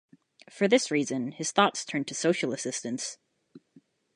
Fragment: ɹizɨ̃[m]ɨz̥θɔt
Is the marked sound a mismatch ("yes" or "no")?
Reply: yes